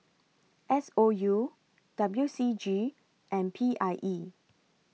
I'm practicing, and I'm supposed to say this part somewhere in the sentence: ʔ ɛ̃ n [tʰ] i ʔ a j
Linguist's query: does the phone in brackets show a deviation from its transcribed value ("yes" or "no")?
yes